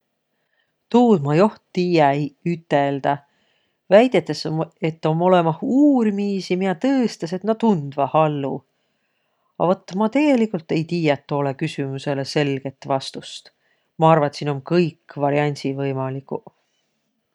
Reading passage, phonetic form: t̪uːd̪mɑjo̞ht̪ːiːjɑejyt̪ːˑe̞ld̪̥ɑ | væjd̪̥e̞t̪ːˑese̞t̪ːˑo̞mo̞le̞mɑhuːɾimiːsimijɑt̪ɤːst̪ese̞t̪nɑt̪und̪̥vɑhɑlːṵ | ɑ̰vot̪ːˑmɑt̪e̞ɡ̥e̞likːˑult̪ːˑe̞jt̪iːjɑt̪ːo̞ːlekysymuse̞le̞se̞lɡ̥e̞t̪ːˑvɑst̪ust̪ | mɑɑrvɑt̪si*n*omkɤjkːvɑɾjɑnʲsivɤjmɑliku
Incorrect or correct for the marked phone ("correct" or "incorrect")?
correct